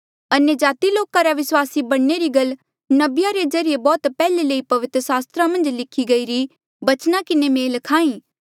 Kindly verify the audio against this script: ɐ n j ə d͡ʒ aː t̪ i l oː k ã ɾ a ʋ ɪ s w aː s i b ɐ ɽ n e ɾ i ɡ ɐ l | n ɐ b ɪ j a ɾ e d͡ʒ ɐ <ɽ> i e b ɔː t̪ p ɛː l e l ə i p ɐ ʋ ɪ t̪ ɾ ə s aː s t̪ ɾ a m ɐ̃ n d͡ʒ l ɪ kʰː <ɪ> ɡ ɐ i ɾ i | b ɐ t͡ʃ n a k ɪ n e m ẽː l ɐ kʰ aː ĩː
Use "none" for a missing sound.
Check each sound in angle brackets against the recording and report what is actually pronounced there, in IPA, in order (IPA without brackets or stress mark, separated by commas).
ɾ, i